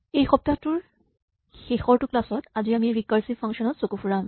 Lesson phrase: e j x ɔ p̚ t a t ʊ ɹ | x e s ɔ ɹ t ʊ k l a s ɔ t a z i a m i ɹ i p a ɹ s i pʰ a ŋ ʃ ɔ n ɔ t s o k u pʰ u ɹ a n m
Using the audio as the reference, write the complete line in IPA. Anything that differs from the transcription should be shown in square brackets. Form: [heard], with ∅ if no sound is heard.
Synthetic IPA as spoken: e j x ɔ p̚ t a t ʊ ɹ | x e [x] ɔ ɹ t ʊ k l a s ɔ t a z i a m i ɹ i [k] a ɹ s i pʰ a ŋ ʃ ɔ n ɔ t s o k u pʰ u ɹ a [∅] m